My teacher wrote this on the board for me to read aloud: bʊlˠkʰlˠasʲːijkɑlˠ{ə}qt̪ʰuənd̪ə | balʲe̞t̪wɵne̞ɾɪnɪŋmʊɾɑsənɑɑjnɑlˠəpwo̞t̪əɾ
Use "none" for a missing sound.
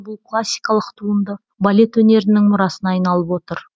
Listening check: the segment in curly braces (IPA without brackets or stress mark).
ə